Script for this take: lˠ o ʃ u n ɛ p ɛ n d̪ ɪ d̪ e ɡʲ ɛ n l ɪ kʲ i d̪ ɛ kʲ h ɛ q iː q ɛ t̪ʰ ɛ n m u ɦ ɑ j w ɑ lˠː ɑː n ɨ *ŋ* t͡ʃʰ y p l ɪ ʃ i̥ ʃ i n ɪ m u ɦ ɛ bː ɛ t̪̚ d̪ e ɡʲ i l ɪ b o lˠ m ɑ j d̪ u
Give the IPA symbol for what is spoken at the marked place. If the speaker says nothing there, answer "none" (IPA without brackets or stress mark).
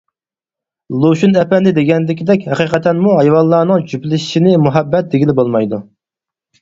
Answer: ŋ